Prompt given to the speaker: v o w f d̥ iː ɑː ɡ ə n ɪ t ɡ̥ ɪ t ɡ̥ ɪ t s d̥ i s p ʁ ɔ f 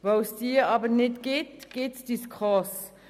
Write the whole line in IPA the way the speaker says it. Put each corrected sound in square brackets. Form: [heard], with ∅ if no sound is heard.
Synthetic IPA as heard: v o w [s] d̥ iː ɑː [b] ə n ɪ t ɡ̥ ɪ t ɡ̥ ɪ t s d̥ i s [k] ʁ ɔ [s]